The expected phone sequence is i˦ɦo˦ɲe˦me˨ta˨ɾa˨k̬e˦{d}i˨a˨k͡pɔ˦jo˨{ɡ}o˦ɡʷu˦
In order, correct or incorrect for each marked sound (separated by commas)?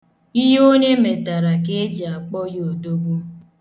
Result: incorrect, incorrect